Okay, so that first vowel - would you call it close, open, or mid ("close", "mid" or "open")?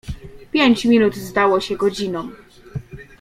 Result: mid